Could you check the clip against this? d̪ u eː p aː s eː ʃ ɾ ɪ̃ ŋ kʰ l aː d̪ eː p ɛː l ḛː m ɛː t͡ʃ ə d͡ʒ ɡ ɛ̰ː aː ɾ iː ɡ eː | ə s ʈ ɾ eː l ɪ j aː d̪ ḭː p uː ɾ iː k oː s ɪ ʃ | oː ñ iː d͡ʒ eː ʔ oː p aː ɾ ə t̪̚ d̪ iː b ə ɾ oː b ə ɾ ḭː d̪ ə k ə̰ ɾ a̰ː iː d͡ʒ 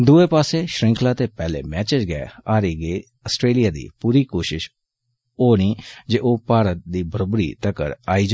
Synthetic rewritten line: d̪ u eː p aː s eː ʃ ɾ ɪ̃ ŋ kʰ l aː t̪ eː p ɛː l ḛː m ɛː t͡ʃ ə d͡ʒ ɡ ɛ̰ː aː ɾ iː ɡ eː | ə s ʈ ɾ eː l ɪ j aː d̪ ḭː p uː ɾ iː k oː ʃ ɪ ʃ | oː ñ iː d͡ʒ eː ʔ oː p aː ɾ ə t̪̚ d̪ iː b ə ɾ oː b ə ɾ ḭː t̪ ə k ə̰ ɾ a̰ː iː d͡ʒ

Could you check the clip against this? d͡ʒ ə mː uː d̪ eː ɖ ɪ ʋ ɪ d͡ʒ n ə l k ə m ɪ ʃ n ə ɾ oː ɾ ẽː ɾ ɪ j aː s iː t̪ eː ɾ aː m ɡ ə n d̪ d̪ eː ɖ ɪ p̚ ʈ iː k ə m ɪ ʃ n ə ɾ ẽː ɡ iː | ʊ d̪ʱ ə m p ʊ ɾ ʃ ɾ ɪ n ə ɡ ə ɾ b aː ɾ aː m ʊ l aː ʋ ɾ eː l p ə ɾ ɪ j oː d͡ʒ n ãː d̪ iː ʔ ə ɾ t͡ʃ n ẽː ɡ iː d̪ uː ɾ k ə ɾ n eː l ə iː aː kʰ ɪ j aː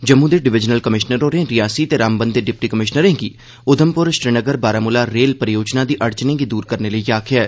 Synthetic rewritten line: d͡ʒ ə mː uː d̪ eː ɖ ɪ ʋ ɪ d͡ʒ n ə l k ə m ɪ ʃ n ə ɾ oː ɾ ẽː ɾ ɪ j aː s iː t̪ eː ɾ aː m b ə n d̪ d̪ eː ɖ ɪ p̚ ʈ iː k ə m ɪ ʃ n ə ɾ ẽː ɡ iː | ʊ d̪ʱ ə m p ʊ ɾ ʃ ɾ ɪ n ə ɡ ə ɾ b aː ɾ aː m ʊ l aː ɾ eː l p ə ɾ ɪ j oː d͡ʒ n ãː d̪ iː ʔ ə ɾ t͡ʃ n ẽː ɡ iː d̪ uː ɾ k ə ɾ n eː l ə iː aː kʰ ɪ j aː

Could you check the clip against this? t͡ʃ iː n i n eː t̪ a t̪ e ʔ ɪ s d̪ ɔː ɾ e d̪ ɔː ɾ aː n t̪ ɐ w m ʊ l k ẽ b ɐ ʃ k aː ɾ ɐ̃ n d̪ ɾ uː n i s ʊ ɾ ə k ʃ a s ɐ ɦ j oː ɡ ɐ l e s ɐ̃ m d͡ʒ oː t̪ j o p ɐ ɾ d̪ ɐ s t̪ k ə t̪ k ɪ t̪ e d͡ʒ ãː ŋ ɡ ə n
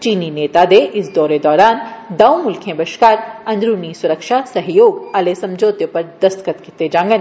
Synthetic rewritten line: t͡ʃ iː n i n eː t̪ a d̪ e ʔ ɪ s d̪ ɔː ɾ e d̪ ɔː ɾ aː n d̪ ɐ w m ʊ l kʰ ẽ b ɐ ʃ k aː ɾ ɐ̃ n d̪ ɾ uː n i s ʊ ɾ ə k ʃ a s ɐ ɦ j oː ɡ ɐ l e s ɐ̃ m d͡ʒ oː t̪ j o p ɐ ɾ d̪ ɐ s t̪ k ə t̪ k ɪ t̪ e d͡ʒ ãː ŋ ɡ ə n

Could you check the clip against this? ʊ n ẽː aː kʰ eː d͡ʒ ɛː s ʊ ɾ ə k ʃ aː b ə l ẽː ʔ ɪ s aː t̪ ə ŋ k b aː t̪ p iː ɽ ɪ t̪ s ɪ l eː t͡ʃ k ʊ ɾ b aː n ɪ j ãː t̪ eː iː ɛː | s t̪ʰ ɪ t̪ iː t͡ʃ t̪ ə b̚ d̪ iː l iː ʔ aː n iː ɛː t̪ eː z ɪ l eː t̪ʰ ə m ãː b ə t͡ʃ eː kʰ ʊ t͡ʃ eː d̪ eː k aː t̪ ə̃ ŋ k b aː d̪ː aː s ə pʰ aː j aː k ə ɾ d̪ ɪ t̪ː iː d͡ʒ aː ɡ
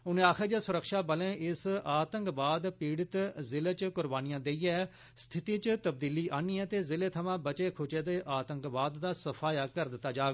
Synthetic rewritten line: ʊ n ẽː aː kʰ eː d͡ʒ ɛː s ʊ ɾ ə k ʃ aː b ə l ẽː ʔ ɪ s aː t̪ ə ŋ k b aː d̪ p iː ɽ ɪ t̪ z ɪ l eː t͡ʃ k ʊ ɾ b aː n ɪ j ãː d̪ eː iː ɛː | s t̪ʰ ɪ t̪ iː t͡ʃ t̪ ə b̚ d̪ iː l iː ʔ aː n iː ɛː t̪ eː z ɪ l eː t̪ʰ ə m ãː b ə t͡ʃ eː kʰ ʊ t͡ʃ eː d̪ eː ʔ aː t̪ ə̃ ŋ k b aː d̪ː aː s ə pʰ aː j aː k ə ɾ d̪ ɪ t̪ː aː d͡ʒ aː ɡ

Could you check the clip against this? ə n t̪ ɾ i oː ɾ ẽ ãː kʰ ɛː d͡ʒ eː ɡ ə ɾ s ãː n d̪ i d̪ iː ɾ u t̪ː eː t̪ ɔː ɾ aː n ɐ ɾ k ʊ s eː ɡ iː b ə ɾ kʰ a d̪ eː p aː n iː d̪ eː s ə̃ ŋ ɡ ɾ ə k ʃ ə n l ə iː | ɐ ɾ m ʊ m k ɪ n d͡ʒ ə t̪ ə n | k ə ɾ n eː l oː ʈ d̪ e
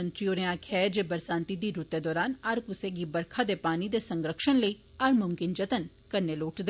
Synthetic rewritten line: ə n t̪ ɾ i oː ɾ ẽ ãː kʰ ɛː d͡ʒ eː b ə ɾ s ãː n t̪ i d̪ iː ɾ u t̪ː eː d̪ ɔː ɾ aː n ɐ ɾ k ʊ s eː ɡ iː b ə ɾ kʰ a d̪ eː p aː n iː d̪ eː s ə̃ ŋ ɡ ɾ ə k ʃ ə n l ə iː | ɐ ɾ m ʊ m k ɪ n d͡ʒ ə t̪ ə n | k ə ɾ n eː l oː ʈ d̪ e

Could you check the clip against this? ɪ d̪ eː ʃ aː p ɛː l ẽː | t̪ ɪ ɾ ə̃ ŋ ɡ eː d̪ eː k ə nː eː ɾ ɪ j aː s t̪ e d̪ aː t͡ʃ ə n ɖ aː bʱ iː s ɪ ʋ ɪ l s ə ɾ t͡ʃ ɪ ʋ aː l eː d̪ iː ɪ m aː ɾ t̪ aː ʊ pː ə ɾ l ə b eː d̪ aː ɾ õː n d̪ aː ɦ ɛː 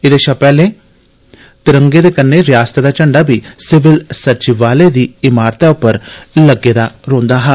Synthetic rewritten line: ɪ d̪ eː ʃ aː p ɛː l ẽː | t̪ ɪ ɾ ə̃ ŋ ɡ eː d̪ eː k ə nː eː ɾ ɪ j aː s t̪ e d̪ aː t͡ʃ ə ɳ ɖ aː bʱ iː s ɪ ʋ ɪ l s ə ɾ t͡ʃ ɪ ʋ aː l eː d̪ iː ɪ m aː ɾ t̪ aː ʊ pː ə ɾ l ə ɡ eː d̪ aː ɾ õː n d̪ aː ɦ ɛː

